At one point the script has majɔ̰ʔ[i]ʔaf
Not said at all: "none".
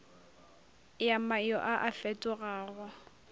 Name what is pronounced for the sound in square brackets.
a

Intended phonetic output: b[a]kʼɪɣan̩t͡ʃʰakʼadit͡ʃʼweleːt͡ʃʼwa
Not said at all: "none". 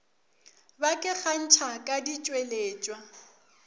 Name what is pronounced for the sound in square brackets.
a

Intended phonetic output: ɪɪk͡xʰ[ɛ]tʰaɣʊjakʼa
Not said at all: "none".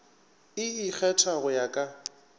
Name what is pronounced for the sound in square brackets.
ɛ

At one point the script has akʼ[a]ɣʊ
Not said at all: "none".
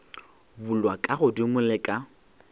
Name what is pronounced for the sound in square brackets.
a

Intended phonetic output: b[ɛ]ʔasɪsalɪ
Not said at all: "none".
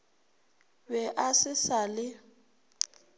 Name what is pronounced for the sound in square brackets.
ɛ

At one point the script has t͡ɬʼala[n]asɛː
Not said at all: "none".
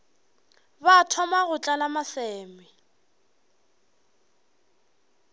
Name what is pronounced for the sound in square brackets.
m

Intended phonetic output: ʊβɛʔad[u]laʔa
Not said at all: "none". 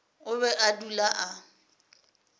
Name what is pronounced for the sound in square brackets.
u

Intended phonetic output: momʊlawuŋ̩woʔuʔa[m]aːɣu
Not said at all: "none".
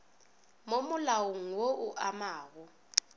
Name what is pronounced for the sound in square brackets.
m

